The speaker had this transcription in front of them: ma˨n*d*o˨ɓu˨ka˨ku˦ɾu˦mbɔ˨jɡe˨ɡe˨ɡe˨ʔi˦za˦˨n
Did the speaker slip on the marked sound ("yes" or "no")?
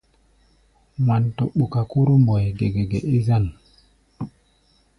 yes